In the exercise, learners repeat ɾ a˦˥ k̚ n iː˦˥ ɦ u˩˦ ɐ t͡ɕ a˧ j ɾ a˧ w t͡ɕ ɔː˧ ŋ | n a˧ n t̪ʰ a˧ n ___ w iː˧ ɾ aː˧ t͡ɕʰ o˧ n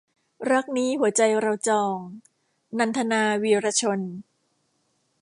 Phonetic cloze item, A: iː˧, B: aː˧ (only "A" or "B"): B